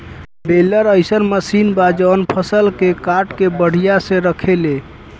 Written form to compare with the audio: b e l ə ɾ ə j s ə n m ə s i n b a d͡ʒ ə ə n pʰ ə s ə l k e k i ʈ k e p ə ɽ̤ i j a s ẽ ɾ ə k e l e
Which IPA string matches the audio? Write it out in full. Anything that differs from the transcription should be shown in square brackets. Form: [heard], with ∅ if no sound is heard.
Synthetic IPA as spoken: b e l ə ɾ ə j s ə n m ə s i n b a d͡ʒ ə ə n pʰ ə s ə l k e k [a] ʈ k e [b] ə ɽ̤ i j a s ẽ ɾ ə [kʰ] e l e